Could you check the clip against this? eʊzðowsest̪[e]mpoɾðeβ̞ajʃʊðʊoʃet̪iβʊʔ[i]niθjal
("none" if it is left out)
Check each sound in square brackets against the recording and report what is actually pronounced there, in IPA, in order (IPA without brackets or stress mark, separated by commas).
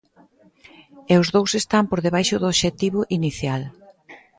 a, i